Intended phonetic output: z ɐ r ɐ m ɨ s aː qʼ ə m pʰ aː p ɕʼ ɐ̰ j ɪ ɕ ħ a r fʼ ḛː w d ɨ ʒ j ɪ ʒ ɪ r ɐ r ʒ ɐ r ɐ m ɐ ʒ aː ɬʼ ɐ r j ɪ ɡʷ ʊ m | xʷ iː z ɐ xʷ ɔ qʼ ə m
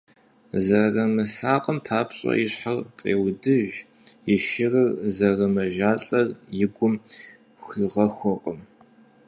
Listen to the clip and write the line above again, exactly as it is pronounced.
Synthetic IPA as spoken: z ɐ r ɐ m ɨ s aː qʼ ə m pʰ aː p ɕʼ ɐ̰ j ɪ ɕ ħ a r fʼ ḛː w d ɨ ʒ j ɪ ʃ ɪ r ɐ r z ɐ r ɐ m ɐ ʒ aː ɬʼ ɐ r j ɪ ɡʷ ʊ m | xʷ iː ʁ ɐ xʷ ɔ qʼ ə m